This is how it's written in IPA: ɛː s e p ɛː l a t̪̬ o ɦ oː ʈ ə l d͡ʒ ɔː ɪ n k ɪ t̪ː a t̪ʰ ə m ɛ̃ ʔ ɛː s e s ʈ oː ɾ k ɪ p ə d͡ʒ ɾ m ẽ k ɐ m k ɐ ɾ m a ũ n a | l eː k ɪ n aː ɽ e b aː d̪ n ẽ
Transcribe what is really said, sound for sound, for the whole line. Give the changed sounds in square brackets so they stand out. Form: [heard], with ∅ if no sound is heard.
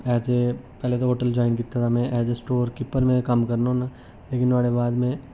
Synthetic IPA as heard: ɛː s e p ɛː l [e] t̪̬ o ɦ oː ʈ ə l d͡ʒ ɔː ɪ n k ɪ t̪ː a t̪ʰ [a] m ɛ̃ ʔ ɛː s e s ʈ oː ɾ k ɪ p ə [∅] ɾ m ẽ k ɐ m k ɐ ɾ [n] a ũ n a | l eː k ɪ n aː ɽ e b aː d̪ [m] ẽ